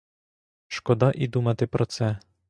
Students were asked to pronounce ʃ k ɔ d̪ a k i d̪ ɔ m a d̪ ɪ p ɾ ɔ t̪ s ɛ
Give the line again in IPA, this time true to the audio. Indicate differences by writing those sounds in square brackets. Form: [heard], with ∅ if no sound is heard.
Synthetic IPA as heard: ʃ k ɔ d̪ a [ʔ] i d̪ [u] m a [t̪] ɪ p ɾ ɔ t̪ s ɛ

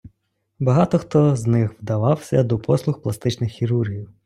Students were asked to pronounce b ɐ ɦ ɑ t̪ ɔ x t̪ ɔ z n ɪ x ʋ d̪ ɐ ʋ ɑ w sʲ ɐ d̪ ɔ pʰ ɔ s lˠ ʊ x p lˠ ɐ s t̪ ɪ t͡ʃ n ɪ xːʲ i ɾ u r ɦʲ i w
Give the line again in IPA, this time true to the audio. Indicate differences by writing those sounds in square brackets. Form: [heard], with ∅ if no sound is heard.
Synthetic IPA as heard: b ɐ ɦ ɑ t̪ ɔ x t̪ ɔ z n ɪ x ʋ d̪ ɐ ʋ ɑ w sʲ ɐ d̪ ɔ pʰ ɔ s lˠ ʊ x p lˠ ɐ s t̪ ɪ t͡ʃ n ɪ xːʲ i ɾ u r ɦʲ i w

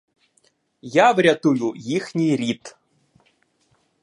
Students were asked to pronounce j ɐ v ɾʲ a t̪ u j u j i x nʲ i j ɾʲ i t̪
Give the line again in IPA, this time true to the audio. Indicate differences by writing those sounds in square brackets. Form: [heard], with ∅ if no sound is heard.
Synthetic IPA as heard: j [a] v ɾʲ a t̪ u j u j i x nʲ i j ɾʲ i t̪

